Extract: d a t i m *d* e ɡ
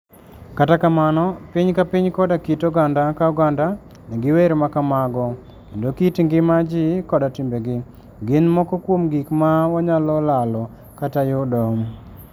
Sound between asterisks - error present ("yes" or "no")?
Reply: yes